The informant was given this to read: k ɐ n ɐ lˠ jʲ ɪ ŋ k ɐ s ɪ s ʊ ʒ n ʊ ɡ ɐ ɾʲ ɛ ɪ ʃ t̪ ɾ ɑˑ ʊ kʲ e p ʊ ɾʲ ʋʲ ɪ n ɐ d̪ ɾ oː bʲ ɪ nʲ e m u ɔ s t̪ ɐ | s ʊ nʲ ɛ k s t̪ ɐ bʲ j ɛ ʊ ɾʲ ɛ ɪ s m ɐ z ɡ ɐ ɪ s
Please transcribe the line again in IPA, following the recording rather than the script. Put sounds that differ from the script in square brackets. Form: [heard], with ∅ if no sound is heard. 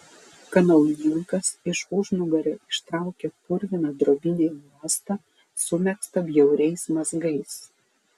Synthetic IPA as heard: k ɐ n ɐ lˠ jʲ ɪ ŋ k ɐ s ɪ [ʃ] ʊ ʒ n ʊ ɡ ɐ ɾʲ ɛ ɪ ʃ t̪ ɾ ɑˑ ʊ kʲ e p ʊ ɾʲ ʋʲ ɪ n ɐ d̪ ɾ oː bʲ ɪ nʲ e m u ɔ s t̪ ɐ | s ʊ [mʲ] ɛ k s t̪ ɐ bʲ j ɛ ʊ ɾʲ ɛ ɪ s m ɐ z ɡ ɐ ɪ s